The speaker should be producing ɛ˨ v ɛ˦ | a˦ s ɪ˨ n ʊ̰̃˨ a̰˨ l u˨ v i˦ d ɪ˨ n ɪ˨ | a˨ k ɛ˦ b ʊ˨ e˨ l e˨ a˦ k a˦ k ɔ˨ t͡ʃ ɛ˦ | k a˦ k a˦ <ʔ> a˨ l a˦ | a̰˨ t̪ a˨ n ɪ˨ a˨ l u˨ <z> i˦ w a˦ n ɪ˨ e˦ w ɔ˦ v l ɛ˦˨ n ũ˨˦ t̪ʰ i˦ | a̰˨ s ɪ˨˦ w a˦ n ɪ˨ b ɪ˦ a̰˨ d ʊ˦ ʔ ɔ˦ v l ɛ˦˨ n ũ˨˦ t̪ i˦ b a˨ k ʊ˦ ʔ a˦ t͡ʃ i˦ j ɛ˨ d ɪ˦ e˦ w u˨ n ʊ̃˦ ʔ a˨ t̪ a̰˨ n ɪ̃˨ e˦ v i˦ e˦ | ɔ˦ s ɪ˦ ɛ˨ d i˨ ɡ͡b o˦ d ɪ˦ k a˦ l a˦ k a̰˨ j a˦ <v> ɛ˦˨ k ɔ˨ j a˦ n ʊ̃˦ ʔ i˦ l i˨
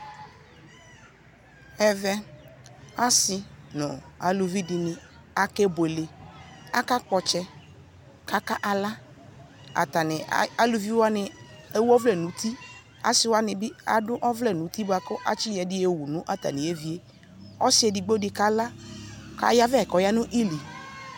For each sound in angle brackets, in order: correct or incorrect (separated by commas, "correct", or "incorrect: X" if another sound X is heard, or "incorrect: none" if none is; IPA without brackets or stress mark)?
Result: correct, incorrect: v, correct